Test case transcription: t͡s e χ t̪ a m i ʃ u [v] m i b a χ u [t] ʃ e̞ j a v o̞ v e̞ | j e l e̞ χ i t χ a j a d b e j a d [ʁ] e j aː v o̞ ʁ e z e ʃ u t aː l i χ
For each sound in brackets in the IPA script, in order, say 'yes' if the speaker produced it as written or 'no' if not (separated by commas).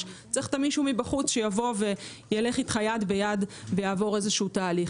no, no, no